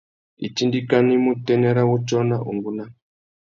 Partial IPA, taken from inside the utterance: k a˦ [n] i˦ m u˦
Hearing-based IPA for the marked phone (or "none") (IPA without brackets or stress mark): n